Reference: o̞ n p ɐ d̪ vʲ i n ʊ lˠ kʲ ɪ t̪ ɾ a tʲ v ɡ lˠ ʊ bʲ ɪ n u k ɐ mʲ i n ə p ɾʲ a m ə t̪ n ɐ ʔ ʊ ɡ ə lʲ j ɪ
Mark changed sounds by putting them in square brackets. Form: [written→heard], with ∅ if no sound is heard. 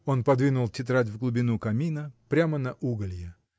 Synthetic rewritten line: o̞ n p ɐ d̪ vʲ i n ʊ lˠ [kʲ→tʲ] ɪ t̪ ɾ a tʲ v ɡ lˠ ʊ bʲ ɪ n u k ɐ mʲ i n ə p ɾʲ a m ə [t̪→∅] n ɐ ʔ [ʊ→u] ɡ ə lʲ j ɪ